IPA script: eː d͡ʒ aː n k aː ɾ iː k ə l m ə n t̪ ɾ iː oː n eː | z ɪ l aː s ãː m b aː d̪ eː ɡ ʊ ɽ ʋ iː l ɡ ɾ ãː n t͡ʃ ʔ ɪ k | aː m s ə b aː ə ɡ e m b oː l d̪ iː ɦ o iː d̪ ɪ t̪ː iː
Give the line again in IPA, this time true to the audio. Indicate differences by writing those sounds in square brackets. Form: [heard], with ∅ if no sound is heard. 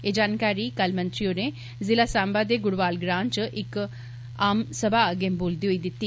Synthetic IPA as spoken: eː d͡ʒ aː n k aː ɾ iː k ə l m ə n t̪ ɾ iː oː n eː | z ɪ l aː s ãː m b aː d̪ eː ɡ ʊ ɽ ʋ [aː] l ɡ ɾ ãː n t͡ʃ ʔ ɪ k | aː m s ə b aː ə ɡ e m b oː l d̪ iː ɦ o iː d̪ ɪ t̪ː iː